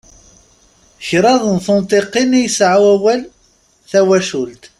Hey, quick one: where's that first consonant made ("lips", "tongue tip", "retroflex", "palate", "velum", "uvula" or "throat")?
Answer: palate